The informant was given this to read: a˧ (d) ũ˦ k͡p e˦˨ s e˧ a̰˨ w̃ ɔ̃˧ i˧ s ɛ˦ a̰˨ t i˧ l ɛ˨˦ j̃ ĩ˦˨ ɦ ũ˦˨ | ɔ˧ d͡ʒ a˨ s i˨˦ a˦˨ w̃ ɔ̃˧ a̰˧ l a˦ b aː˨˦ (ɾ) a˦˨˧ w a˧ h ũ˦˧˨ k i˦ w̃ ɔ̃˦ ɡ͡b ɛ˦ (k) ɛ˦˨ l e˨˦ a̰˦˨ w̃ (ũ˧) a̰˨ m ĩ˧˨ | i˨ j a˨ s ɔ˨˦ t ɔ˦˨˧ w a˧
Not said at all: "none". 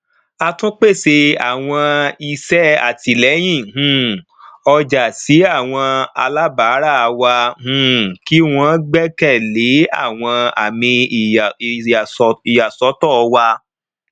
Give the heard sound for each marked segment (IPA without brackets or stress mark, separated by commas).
t, ɾ, k, ɔ̃˧